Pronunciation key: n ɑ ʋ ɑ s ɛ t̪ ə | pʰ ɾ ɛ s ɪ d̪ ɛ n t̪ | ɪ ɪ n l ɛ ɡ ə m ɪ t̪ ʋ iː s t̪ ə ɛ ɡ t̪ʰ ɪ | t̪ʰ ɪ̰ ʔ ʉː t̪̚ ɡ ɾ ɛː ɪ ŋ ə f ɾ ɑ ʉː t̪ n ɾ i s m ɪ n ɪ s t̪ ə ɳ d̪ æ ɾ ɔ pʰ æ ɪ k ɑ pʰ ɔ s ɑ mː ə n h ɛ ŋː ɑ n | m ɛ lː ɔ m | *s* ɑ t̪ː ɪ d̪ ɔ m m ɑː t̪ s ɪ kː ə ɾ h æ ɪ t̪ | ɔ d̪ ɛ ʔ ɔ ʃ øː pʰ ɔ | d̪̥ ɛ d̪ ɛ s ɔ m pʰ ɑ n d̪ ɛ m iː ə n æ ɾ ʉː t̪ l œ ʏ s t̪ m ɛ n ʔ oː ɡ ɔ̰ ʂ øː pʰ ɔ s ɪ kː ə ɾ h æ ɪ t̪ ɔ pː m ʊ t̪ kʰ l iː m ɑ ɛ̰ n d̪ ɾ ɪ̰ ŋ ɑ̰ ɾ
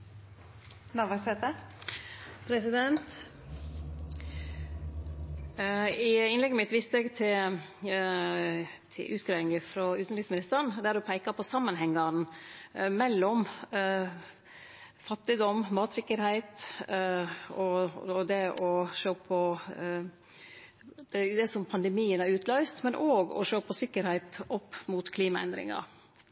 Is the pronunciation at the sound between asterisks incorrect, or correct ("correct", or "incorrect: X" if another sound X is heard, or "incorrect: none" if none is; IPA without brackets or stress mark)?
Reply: incorrect: f